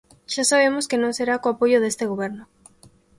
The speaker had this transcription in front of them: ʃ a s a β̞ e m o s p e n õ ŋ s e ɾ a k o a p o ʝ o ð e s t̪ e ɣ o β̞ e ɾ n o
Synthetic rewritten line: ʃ a s a β̞ e m o s k e n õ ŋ s e ɾ a k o a p o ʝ o ð e s t̪ e ɣ o β̞ e ɾ n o